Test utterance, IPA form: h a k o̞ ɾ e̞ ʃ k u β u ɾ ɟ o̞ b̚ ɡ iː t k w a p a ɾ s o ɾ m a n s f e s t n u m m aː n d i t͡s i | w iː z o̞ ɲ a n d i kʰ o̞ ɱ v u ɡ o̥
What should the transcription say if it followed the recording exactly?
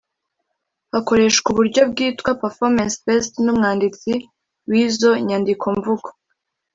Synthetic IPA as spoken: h a k o̞ ɾ e̞ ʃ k u β u ɾ ɟ o̞ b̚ ɡ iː t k w a p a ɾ f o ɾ m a n s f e s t n u m ŋ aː n d i t͡s i | w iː z o̞ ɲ a n d i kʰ o̞ ɱ v u ɡ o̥